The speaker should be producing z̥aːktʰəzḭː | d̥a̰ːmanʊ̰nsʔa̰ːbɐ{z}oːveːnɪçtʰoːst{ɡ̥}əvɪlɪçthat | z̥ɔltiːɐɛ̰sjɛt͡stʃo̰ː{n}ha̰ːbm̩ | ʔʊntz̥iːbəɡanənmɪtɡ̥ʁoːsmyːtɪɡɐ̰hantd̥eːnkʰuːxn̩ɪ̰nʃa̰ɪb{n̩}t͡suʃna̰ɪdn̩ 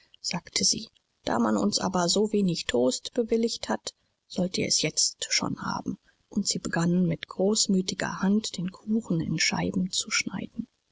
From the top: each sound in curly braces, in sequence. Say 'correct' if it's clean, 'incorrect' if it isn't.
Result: correct, incorrect, correct, incorrect

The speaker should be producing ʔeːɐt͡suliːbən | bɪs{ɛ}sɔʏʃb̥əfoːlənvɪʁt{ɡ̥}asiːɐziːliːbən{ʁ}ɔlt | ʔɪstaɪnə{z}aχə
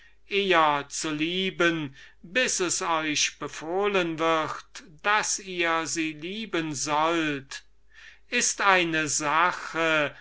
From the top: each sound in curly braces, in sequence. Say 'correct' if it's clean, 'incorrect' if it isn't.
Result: correct, incorrect, incorrect, correct

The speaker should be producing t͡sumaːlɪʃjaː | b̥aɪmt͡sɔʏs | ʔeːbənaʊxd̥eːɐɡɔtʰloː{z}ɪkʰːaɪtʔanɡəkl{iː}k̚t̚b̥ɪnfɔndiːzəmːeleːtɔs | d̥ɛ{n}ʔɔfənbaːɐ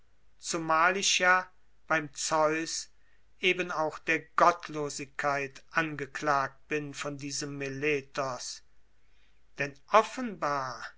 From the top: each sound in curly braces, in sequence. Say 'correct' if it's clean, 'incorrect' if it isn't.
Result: correct, incorrect, correct

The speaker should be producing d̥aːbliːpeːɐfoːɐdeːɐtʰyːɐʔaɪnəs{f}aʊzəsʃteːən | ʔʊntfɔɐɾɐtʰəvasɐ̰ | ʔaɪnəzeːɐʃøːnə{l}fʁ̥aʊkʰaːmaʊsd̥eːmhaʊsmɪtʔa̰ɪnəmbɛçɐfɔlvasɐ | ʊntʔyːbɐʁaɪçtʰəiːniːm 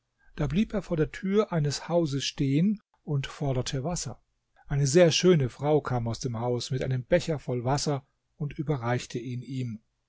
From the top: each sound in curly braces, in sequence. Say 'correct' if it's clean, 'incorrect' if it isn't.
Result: incorrect, incorrect

